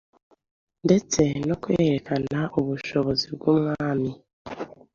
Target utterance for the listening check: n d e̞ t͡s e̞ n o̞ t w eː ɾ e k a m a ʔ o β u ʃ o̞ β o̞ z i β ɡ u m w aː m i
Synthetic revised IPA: n d e̞ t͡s e̞ n o̞ k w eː ɾ e k a n a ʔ o β u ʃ o̞ β o̞ z i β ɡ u m w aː m i